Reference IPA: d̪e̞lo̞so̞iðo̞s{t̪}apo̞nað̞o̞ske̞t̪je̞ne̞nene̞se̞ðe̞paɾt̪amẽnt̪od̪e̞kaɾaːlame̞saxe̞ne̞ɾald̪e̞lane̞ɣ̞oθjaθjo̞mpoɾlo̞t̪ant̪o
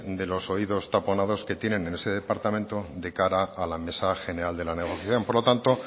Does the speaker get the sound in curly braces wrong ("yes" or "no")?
no